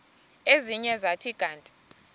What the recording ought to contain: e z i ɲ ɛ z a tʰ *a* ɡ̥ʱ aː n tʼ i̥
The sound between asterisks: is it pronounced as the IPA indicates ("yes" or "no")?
no